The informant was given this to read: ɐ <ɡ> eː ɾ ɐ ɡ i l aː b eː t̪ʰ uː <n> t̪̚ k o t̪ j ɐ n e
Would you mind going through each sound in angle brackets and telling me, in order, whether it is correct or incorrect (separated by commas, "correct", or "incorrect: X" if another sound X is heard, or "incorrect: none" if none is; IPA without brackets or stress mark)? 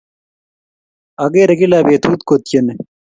correct, incorrect: none